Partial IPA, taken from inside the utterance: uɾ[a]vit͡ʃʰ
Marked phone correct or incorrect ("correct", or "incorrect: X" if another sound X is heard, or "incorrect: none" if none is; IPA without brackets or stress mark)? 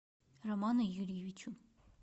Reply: incorrect: i